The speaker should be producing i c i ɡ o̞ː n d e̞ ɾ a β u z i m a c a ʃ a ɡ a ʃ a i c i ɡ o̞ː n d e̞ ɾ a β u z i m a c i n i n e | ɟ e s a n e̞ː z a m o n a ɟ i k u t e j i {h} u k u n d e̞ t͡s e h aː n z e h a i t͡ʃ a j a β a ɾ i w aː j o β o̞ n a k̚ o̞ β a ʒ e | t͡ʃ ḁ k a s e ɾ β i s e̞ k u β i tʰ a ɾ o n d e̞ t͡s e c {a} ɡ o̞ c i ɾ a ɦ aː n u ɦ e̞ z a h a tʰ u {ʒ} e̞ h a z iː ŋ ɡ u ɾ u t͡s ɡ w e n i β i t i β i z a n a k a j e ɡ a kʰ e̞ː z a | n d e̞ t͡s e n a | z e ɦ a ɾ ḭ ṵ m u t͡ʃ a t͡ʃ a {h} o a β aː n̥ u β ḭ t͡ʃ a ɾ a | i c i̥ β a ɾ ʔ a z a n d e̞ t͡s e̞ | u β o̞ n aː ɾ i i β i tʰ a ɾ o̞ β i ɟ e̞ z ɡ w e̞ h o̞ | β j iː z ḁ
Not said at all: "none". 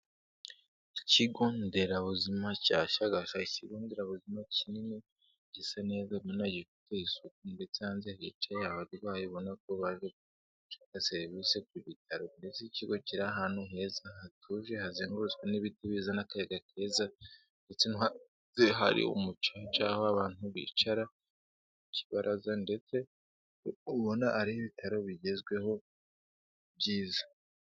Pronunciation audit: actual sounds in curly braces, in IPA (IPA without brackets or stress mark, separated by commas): s, i, ʒ, h